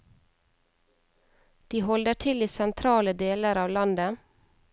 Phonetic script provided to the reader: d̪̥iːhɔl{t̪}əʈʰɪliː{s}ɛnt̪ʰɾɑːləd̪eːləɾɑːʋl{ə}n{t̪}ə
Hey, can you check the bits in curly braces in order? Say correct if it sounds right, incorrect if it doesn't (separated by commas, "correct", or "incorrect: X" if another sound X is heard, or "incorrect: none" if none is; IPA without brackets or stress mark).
incorrect: d̪, correct, incorrect: ɑ, incorrect: d̪